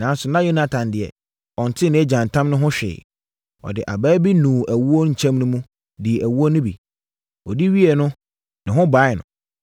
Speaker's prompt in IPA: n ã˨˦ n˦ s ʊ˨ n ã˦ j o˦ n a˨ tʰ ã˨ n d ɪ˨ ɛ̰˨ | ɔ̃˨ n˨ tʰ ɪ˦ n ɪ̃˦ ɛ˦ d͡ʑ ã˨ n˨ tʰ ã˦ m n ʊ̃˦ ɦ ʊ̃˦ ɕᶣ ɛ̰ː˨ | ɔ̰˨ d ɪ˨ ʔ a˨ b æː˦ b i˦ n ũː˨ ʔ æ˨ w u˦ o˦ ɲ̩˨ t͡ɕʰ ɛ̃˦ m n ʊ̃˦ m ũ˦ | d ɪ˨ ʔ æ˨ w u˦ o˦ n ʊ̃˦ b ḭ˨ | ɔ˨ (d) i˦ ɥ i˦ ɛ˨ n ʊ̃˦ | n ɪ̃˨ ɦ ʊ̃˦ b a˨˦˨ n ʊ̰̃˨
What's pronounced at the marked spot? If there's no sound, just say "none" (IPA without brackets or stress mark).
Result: d